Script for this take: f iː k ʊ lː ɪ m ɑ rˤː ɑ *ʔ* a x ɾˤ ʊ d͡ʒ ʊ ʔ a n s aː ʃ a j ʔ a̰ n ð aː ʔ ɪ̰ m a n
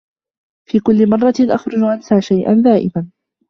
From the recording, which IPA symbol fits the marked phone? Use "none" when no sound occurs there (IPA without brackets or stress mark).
ʔ